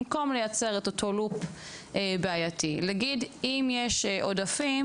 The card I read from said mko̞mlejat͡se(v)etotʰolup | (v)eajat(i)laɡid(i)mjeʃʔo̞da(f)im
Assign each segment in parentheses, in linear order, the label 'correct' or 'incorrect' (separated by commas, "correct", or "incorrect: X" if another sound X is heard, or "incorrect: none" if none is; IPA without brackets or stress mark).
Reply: incorrect: ʁ, incorrect: b, correct, correct, correct